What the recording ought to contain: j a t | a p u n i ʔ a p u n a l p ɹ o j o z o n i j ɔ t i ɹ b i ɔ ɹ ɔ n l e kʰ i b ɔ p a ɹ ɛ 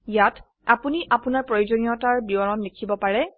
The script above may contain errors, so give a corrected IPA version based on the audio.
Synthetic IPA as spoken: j a t | a p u n i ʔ a p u n a ɹ p ɹ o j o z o n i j ɔ t a ɹ b i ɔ ɹ ɔ n l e kʰ i b ɔ p a ɹ ɛ

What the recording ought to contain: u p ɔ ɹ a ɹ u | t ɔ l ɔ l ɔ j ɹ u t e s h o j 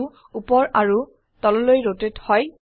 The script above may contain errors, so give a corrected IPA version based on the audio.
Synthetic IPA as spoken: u p ɔ ɹ a ɹ u | t ɔ l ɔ l o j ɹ o t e t h ɔ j

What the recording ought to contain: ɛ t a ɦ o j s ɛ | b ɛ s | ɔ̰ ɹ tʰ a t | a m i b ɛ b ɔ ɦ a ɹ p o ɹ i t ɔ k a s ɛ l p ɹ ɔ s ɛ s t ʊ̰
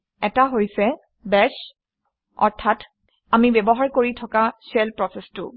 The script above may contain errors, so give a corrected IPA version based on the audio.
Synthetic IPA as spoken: ɛ t a ɦ o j s ɛ | b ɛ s | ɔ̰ ɹ tʰ a t | a m i b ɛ b ɔ ɦ a ɹ k o ɹ i tʰ ɔ k a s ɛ l p ɹ ɔ s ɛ s t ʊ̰

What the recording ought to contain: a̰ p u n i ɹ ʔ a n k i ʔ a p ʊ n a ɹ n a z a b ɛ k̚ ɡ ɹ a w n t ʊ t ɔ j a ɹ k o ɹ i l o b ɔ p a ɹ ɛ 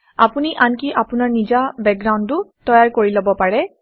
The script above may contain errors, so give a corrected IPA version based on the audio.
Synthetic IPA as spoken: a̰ p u n i ʔ a n k i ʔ a p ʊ n a ɹ n i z a b ɛ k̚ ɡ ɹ a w n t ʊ t ɔ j a ɹ k o ɹ i l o b ɔ p a ɹ ɛ

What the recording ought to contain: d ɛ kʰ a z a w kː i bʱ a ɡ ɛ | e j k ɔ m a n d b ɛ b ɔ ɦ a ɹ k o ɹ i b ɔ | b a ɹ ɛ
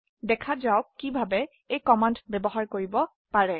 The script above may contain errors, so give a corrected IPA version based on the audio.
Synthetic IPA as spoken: d ɛ kʰ a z a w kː i bʱ a b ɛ | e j k ɔ m a n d b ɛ b ɔ ɦ a ɹ k o ɹ i b ɔ | p a ɹ ɛ

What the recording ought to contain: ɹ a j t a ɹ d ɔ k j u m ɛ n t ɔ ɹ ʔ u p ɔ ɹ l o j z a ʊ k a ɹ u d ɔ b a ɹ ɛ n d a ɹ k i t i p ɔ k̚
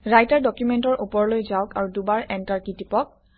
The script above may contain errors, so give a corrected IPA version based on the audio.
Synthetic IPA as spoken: ɹ a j t a ɹ d ɔ k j u m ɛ n t ɔ ɹ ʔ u p ɔ ɹ l o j z a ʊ k a ɹ u d u b a ɹ ɛ n t a ɹ k i t i p ɔ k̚

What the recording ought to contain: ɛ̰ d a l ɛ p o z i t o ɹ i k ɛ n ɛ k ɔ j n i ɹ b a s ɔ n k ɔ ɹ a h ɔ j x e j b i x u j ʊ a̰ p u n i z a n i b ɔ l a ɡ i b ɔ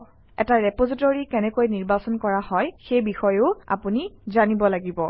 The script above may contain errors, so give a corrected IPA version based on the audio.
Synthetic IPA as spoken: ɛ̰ t a ɹ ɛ p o z i t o ɹ i k ɛ n ɛ k o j n i ɹ b a s ɔ n k ɔ ɹ a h ɔ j x e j b i x ɔ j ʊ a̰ p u n i z a n i b ɔ l a ɡ i b ɔ

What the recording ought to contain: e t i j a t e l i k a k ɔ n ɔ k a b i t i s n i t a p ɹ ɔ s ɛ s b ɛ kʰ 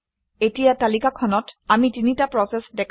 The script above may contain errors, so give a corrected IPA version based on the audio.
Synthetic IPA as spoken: e t i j a t a l i k a kʰ ɔ n ɔ t a m i t i n i t a p ɹ ɔ s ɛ s d ɛ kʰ

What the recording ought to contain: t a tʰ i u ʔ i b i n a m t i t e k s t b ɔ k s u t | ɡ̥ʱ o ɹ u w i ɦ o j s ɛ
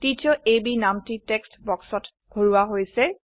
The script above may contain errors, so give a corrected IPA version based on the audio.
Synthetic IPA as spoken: t i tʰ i ɔ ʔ e b i n a m t i t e k s t b ɔ k s ɔ t | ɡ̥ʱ o ɹ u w a ɦ o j s ɛ

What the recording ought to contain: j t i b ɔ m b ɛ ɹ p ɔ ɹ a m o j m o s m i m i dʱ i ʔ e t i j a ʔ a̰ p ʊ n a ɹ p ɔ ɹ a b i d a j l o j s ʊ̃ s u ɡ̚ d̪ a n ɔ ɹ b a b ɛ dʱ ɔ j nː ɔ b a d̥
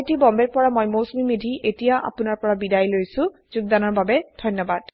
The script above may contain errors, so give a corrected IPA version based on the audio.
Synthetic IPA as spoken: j t i b ɔ m b ɛ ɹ p ɔ ɹ a m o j m o s m i m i dʱ i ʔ e t i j a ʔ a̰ p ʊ n a ɹ p ɔ ɹ a b i d a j l o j s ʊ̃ z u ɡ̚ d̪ a n ɔ ɹ b a b ɛ dʱ ɔ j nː ɔ b a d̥

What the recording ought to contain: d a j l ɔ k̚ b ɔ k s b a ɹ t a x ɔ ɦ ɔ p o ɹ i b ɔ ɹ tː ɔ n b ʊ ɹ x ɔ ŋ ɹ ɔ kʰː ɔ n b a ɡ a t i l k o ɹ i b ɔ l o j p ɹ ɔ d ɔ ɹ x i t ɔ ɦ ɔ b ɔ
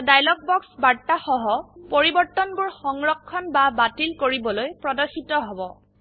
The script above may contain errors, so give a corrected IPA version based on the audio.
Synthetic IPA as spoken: d a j l ɔ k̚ b ɔ k s b a ɹ t a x ɔ ɦ ɔ p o ɹ i b ɔ ɹ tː ɔ n b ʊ ɹ x ɔ ŋ ɹ ɔ kʰː ɔ n b a b a t i l k o ɹ i b ɔ l o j p ɹ ɔ d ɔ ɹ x i t ɔ ɦ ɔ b ɔ

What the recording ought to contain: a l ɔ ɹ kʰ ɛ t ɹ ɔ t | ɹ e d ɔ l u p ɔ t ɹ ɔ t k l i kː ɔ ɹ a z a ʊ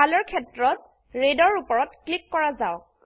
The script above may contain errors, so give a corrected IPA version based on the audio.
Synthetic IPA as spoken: a l ɔ ɹ kʰ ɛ t ɹ ɔ t | ɹ e d ɔ ɹ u p ɔ ɹ ɔ t k l i kː ɔ ɹ a z a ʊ

